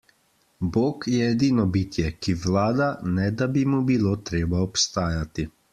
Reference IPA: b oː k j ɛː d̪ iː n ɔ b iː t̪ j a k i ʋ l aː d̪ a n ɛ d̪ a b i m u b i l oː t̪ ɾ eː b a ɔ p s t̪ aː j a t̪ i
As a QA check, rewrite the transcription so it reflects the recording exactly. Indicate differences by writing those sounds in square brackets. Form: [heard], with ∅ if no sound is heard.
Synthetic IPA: b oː k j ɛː d̪ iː n ɔ b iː t̪ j [ɛ] k i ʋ l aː d̪ a n ɛ d̪ a b i m u b i l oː t̪ ɾ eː b a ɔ p s t̪ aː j a t̪ i